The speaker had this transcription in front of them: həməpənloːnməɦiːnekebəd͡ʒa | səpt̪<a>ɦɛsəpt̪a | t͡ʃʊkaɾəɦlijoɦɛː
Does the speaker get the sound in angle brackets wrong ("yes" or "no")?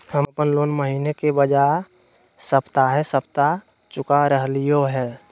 no